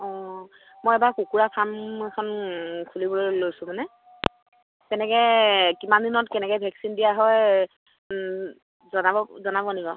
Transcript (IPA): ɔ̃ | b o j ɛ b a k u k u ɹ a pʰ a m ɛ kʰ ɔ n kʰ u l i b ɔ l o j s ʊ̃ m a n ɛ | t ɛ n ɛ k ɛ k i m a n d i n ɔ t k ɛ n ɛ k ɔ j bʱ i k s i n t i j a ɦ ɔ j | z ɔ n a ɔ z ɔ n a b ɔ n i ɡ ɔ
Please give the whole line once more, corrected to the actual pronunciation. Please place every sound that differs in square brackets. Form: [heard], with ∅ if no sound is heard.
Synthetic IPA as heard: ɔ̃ | [m] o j ɛ b a k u k u ɹ a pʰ a m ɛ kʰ ɔ n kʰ u l i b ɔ l o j s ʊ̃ m a n ɛ | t ɛ n ɛ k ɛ k i m a n d i n ɔ t k ɛ n ɛ k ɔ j bʱ [ɛ] k s i n [d] i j a ɦ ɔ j | z ɔ n a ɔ z ɔ n a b ɔ n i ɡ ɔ

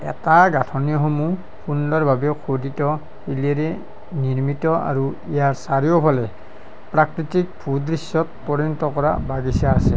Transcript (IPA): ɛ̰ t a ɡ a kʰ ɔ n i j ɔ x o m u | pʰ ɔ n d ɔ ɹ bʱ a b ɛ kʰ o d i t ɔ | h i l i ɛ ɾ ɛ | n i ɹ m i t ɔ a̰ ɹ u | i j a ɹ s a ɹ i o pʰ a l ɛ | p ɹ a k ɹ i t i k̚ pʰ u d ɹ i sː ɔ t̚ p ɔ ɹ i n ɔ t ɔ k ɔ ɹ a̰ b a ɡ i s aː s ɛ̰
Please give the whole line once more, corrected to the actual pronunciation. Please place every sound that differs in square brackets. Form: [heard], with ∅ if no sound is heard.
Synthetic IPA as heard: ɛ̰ t a ɡ a [tʰ] ɔ n i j ɔ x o m u | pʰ [u] n d ɔ ɹ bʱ a b ɛ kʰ o d i t ɔ | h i l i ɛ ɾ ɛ | n i ɹ m i t ɔ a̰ ɹ u | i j a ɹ s a ɹ i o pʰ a l ɛ | p ɹ a k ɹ i t i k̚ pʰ u d ɹ i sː ɔ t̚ p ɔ ɹ i n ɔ t ɔ k ɔ ɹ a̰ b a ɡ i s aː s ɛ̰

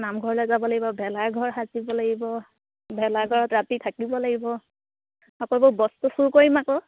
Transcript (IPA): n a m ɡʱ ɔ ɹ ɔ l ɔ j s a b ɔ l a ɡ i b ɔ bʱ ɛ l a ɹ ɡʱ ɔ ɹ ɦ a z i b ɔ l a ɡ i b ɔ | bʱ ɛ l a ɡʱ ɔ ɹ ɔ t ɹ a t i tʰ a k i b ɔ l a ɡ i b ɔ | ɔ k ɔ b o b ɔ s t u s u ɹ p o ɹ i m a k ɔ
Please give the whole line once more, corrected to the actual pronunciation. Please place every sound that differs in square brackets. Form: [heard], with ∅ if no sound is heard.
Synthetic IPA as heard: n a m ɡʱ ɔ ɹ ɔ l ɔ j [z] a b ɔ l a ɡ i b ɔ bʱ ɛ l a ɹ ɡʱ ɔ ɹ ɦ a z i b ɔ l a ɡ i b ɔ | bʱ ɛ l a ɡʱ ɔ ɹ ɔ t ɹ a t i tʰ a k i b ɔ l a ɡ i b ɔ | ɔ k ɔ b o b ɔ s t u s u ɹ [k] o ɹ i m a k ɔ

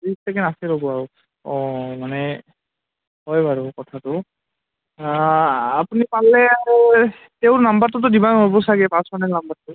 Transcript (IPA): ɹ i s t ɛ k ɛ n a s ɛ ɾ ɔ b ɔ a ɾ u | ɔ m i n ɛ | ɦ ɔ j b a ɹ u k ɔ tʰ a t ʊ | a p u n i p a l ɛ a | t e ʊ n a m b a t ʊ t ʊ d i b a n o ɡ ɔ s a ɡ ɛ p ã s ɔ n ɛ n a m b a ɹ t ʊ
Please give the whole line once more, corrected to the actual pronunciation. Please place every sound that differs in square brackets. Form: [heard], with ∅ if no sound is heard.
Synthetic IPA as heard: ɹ i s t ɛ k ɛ n a s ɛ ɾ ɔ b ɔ a [ɹ] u | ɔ m [a] n ɛ | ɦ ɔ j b a ɹ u k ɔ tʰ a t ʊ | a p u n i p a l ɛ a | t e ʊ n a m b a t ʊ t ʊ d i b a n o [b] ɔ s a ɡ ɛ p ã s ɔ n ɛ n a m b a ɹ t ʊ

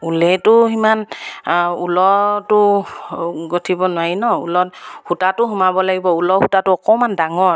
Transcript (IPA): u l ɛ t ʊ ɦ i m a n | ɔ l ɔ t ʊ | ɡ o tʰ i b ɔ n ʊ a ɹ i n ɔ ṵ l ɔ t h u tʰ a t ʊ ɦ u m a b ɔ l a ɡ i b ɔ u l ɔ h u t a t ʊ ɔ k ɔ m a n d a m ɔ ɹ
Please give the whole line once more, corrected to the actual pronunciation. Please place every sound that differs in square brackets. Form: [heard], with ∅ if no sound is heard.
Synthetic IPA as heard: u l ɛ t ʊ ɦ i m a n | [u] l ɔ t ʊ | ɡ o tʰ i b ɔ n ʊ a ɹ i n ɔ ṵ l ɔ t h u [t] a t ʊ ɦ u m a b ɔ l a ɡ i b ɔ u l ɔ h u t a t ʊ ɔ k ɔ m a n d a [ŋ] ɔ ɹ

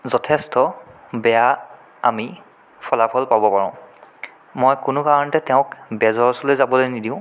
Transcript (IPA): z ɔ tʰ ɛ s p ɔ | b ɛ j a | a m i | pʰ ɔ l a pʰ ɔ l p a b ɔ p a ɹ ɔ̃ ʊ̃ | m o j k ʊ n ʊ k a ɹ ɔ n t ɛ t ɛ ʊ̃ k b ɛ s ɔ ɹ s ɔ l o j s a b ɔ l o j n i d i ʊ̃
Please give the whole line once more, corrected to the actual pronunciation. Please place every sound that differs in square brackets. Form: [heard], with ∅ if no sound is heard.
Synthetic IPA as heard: z ɔ tʰ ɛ s [t] ɔ | b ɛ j a | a m i | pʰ ɔ l a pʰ ɔ l p a b ɔ p a ɹ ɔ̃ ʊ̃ | m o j k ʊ n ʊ k a ɹ ɔ n t ɛ t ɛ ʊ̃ k b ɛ [z] ɔ ɹ s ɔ l o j [z] a b ɔ l o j n i d i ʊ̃

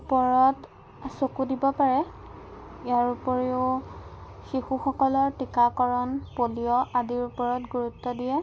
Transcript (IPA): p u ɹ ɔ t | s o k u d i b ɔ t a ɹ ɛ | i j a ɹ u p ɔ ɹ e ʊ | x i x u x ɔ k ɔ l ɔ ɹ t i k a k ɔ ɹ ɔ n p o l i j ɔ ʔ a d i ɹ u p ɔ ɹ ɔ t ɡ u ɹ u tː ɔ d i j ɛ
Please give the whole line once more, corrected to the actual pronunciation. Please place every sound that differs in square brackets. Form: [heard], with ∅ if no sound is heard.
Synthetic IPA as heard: p [ɔ] ɹ ɔ t | s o k u d i b ɔ [p] a ɹ ɛ | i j a ɹ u p ɔ ɹ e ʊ | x i x u x ɔ k ɔ l ɔ ɹ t i k a k ɔ ɹ ɔ n p o l i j ɔ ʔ a d i ɹ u p ɔ ɹ ɔ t ɡ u ɹ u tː ɔ d i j ɛ

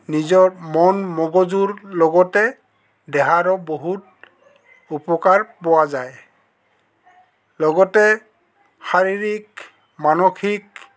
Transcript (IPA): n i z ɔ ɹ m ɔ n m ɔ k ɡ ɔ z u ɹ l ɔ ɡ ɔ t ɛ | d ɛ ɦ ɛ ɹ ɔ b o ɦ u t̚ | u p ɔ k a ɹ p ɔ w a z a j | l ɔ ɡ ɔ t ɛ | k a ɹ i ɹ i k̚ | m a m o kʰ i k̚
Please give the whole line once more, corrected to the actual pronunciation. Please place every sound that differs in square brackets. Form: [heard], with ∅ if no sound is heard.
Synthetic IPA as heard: n i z ɔ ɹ m ɔ n m ɔ [∅] ɡ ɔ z u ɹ l ɔ ɡ ɔ t ɛ | d ɛ ɦ [a] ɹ ɔ b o ɦ u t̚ | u p ɔ k a ɹ p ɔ w a z a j | l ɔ ɡ ɔ t ɛ | [x] a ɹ i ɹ i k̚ | m a [n] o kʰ i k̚

